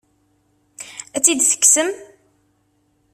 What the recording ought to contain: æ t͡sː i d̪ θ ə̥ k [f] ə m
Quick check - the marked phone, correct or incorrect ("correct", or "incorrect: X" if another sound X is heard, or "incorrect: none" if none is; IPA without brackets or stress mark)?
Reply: incorrect: s